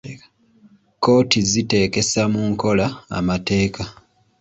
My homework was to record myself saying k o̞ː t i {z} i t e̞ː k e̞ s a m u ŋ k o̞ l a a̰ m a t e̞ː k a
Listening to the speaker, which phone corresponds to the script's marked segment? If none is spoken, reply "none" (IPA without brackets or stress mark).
z